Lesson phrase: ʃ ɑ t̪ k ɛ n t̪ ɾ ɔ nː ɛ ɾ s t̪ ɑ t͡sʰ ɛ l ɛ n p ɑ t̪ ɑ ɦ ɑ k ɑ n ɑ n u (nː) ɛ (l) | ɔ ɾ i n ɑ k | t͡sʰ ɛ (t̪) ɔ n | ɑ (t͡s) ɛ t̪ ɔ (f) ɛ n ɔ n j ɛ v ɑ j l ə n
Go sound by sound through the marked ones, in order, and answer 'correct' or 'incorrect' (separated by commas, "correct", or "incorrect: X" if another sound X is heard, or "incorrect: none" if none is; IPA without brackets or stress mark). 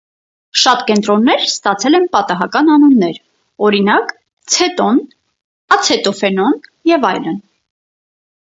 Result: correct, incorrect: ɾ, correct, incorrect: t͡sʰ, correct